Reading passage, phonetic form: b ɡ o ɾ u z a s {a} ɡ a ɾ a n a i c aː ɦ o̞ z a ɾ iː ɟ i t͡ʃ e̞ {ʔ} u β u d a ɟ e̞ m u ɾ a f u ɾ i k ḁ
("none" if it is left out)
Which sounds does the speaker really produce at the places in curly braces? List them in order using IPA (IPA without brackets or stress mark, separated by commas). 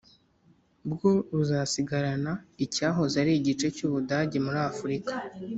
i, c